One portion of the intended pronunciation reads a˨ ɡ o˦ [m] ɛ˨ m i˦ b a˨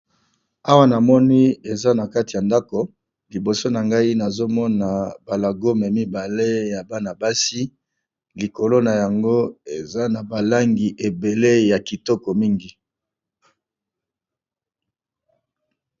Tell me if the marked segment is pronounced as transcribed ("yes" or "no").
yes